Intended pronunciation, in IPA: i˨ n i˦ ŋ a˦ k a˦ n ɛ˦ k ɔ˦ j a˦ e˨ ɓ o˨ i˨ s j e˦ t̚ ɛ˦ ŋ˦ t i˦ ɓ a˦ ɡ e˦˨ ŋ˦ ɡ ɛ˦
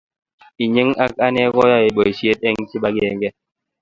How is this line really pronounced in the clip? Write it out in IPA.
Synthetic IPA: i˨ ɲ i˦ ŋ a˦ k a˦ n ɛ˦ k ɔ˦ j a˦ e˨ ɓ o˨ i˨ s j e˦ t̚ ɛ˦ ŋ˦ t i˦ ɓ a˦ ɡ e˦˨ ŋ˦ ɡ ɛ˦